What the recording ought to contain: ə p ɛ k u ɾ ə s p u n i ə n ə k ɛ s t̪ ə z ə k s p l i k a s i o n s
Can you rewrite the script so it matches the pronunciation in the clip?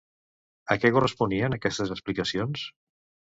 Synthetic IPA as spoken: ə k ɛ k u r ə s p u n i ə n ə k ɛ s t̪ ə z ə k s p l i k ə s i o n s

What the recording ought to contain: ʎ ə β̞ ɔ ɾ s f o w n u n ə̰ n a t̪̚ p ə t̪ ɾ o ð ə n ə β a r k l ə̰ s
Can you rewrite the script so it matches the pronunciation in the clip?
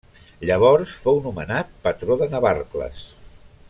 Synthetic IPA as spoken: ʎ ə β̞ ɔ ɾ s f o w n u m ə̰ n a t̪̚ p ə t̪ ɾ o ð ə n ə β a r k l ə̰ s

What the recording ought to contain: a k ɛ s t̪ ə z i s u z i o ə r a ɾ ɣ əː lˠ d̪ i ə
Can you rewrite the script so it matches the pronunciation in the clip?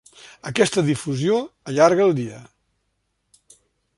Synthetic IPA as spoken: ə k ɛ s t̪ ə ð i f u z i o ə ʎ a ɾ ɣ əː lˠ d̪ i ə

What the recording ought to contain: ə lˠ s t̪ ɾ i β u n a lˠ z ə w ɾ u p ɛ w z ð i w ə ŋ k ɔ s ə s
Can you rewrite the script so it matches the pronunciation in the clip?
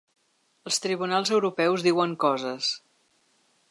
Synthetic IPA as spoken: ə lˠ s t̪ ɾ i β u n a lˠ z ə w ɾ u p ɛ w z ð i w ə ŋ k ɔ z ə s

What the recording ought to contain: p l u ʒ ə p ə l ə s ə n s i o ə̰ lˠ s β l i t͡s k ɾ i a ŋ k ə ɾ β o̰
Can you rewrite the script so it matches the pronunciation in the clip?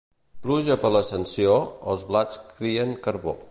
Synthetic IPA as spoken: p l u ʒ ə p ə l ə s ə n s i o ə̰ lˠ z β l a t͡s k ɾ i ə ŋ k ə ɾ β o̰

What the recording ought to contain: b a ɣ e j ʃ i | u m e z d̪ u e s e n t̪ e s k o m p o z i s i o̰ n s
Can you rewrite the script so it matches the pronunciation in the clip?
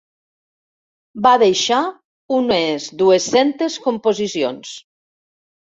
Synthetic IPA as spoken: b a ð e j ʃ a | u n e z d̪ u e s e n t̪ e s k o m p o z i s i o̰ n s

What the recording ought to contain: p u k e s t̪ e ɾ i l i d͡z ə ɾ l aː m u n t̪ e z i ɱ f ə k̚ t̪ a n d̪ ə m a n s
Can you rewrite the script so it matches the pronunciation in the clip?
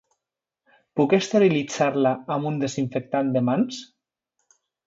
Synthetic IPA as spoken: p u k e s t̪ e ɾ i l i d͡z a ɾ l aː m u n d̪ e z i ɱ f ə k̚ t̪ a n d̪ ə m a n s

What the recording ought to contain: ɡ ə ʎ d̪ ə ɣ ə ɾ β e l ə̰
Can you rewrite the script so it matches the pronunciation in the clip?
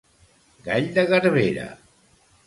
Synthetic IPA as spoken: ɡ a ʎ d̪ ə ɣ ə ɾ β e ɾ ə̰

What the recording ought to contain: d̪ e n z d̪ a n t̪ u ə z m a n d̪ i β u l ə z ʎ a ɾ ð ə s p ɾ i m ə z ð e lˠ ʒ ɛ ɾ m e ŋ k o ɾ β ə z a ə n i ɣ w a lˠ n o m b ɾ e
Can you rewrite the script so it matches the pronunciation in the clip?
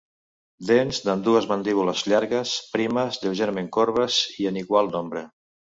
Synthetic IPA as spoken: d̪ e n z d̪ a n d̪ u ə z m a n d̪ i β u l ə z ʎ a ɾ ɣ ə s p ɾ i m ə z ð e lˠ ʒ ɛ ɾ m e ŋ k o ɾ β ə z i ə n i ɣ w a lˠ n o m b ɾ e

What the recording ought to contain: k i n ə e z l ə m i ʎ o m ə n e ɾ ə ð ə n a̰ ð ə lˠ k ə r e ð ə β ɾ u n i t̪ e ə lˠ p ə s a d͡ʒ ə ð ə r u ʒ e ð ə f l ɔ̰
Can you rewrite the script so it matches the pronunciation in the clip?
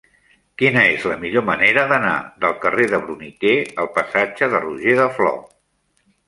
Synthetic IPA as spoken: k i n ə e z l ə m i ʎ o m ə n e ɾ ə ð ə n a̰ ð ə lˠ k ə r e ð ə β ɾ u n i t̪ e ə lˠ p ə s a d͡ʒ ə ð ə r u ʒ e ð ə f l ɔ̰

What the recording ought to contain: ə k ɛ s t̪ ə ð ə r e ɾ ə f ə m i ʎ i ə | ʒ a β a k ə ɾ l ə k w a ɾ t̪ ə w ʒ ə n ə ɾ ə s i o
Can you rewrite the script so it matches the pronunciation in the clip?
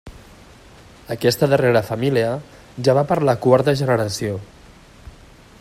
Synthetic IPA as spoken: ə k ɛ s t̪ ə ð ə r e ɾ ə f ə m i l i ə | ʒ a β a p ə ɾ l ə k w a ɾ t̪ ə ʒ ə n ə ɾ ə s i o

